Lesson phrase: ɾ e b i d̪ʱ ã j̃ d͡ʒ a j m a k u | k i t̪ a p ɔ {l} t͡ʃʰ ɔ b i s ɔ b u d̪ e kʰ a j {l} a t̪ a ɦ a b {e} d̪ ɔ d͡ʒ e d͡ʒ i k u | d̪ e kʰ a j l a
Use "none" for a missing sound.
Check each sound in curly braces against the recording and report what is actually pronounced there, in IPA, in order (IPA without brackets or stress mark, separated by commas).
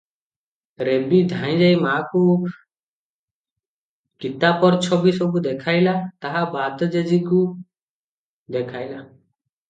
ɾ, l, a